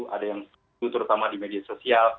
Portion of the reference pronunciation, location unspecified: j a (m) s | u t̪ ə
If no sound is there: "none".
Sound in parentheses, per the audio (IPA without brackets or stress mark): ŋ